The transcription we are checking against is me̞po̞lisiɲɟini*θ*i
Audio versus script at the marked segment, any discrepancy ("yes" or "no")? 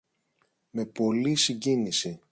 yes